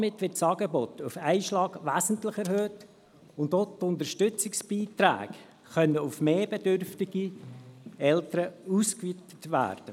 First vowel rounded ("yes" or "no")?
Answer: no